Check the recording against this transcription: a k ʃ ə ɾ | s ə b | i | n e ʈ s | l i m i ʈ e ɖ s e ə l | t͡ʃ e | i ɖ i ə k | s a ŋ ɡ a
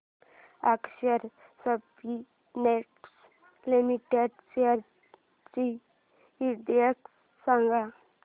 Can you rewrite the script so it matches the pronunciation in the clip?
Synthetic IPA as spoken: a k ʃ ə ɾ | s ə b | i | n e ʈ s | l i m i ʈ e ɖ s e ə ɾ | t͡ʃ i | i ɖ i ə k | s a ŋ ɡ a